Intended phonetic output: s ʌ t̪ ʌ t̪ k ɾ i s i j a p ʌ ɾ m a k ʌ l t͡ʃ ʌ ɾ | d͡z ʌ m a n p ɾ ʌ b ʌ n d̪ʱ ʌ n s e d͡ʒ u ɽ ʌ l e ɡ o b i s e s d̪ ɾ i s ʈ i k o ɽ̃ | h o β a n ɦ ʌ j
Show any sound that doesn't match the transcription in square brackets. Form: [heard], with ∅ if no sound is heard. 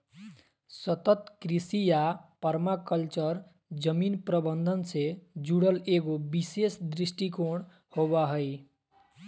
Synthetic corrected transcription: s ʌ t̪ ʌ t̪ k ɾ i s i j a p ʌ ɾ m a k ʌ l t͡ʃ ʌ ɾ | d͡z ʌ m [i] n p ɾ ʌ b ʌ n d̪ʱ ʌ n s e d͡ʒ u ɽ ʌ l e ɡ o b i s e s d̪ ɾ i s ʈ i k o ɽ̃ | h o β a [∅] ɦ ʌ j